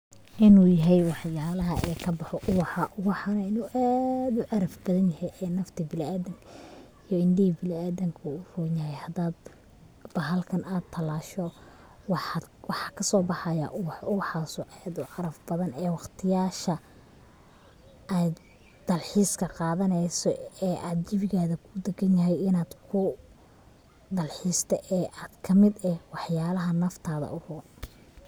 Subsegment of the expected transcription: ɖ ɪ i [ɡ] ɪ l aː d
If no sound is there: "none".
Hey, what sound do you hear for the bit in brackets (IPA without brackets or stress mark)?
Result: b